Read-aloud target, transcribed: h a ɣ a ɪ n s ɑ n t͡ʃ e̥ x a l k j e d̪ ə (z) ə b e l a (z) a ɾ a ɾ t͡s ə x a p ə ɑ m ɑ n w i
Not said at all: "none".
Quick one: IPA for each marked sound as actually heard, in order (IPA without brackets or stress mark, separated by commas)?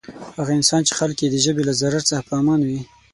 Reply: ʒ, z